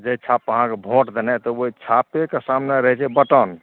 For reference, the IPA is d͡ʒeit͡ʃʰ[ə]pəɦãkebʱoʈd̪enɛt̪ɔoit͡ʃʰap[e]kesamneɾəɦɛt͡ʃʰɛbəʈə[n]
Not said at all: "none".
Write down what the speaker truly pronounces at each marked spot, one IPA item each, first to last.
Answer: a, e, n

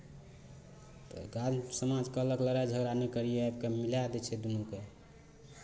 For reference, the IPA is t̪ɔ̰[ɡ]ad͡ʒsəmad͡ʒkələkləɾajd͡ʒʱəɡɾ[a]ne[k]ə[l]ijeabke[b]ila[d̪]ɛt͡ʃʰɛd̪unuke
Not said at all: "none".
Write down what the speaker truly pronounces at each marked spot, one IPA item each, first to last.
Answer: ɡ, a, k, ɾ, m, d̪

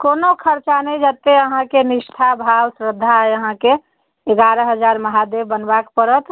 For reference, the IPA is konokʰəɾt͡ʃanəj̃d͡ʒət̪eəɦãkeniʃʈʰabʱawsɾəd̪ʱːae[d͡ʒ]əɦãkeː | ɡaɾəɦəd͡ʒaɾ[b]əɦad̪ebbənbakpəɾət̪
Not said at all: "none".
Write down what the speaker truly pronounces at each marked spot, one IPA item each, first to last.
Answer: none, m

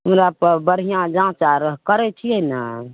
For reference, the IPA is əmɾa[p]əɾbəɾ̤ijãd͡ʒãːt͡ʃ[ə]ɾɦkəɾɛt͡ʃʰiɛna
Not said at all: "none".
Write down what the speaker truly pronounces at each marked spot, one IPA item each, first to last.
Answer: p, a

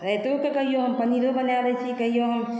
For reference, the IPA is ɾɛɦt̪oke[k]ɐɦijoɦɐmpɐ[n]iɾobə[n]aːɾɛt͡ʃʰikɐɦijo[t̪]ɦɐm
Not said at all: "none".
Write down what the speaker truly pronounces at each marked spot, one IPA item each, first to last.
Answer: k, n, n, none

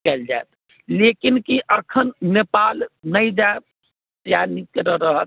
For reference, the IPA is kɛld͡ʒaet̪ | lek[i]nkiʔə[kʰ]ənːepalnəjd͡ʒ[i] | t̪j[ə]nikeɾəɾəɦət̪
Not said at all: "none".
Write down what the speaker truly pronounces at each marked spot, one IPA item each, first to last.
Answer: i, kʰ, a, a

